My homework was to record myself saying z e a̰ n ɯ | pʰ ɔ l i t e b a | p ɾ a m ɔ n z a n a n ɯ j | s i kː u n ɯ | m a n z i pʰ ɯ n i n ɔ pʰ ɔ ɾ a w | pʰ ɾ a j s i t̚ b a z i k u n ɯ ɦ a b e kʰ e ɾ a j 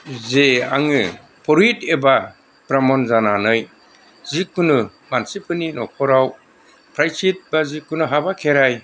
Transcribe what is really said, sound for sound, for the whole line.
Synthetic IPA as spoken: z e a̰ ŋ ɯ | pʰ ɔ ɾ i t e b a | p ɾ a m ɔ n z a n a n ɯ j | z i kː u n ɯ | m a n s i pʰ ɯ n i n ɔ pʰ ɔ ɾ a w | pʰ ɾ a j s i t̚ b a z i k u n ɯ ɦ a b a kʰ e ɾ a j